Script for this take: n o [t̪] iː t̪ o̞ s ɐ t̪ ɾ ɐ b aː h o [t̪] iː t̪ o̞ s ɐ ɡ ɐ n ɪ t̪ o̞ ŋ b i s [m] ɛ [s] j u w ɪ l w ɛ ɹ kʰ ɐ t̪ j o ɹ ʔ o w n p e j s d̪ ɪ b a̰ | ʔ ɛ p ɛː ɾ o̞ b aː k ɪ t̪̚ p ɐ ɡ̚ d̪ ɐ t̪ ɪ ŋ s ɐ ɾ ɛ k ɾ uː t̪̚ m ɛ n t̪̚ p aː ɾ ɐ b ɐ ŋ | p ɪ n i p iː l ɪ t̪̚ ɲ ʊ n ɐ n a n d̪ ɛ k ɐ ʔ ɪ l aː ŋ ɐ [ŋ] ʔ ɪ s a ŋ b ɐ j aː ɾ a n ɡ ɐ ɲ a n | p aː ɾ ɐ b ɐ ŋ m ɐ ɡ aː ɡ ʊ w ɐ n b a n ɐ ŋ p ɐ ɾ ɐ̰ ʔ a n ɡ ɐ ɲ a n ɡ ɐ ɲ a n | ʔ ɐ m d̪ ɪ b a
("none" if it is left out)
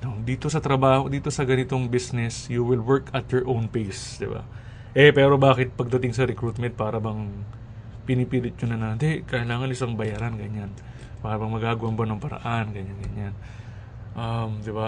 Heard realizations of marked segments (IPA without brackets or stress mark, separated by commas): d̪, d̪, n, s, n